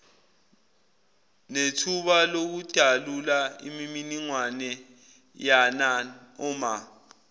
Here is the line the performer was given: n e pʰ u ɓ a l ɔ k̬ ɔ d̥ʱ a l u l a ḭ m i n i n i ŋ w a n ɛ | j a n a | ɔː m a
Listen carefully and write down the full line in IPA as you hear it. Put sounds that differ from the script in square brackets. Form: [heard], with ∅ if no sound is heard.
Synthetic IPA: n e [tʰ] u ɓ a l [o] k̬ [u] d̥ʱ a l u l a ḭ m i [m] i n i ŋ w a n ɛ | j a n a | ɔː m a